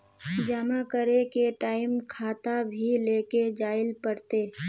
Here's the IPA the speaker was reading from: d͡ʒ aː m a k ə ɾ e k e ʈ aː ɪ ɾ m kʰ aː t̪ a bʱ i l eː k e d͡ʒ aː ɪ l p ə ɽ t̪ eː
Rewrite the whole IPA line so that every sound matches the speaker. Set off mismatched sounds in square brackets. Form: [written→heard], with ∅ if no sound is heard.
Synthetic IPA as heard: d͡ʒ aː m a k ə ɾ e k e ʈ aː ɪ [ɾ→∅] m kʰ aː t̪ a bʱ i l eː k e d͡ʒ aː ɪ l p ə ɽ t̪ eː